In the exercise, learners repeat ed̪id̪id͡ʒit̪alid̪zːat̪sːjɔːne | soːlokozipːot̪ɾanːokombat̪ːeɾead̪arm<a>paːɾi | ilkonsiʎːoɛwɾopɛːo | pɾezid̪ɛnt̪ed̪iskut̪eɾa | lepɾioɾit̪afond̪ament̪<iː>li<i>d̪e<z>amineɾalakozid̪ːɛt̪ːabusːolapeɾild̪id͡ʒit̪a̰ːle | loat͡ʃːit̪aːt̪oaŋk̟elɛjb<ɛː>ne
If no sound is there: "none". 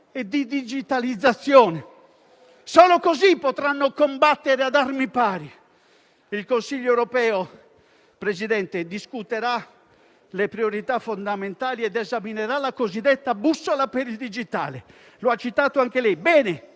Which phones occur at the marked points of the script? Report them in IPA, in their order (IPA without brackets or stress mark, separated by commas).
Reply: i, aː, ɛ, z, ɛː